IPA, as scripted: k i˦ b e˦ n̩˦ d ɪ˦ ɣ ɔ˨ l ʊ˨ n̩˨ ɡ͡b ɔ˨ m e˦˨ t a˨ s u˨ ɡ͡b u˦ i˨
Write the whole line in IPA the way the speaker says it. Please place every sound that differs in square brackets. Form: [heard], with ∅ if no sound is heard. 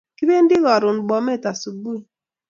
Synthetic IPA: k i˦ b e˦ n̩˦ d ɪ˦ ɣ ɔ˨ [ɾ] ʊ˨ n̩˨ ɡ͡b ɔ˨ m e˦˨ t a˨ s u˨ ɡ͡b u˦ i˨